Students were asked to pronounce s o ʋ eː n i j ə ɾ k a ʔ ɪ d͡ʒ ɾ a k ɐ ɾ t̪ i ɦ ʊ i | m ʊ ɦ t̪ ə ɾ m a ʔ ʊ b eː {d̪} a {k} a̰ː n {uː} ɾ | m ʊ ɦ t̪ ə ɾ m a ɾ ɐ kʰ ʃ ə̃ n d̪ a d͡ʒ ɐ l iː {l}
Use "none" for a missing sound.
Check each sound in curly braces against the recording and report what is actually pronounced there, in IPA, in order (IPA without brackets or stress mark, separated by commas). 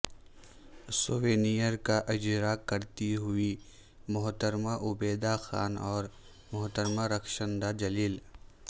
d̪, x, ɔː, l